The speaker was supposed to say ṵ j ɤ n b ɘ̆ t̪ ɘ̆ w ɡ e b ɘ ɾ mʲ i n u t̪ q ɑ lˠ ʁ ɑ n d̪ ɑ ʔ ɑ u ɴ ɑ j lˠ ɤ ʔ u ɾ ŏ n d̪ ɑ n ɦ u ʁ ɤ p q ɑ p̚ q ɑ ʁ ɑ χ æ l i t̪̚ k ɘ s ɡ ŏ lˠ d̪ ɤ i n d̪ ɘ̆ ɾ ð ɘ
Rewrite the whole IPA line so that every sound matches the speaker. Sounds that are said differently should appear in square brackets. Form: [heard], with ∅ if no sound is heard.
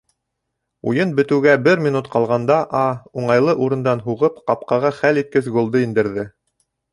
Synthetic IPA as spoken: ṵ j ɤ n b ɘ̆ t̪ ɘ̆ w ɡ [æ] b ɘ ɾ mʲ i n u t̪ q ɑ lˠ ʁ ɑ n d̪ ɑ ʔ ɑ u ɴ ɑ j lˠ ɤ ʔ u ɾ [ɤ̆] n d̪ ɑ n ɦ u ʁ ɤ p q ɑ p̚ q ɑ ʁ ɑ χ æ l i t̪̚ k ɘ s ɡ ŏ lˠ d̪ ɤ i n d̪ ɘ̆ ɾ ð ɘ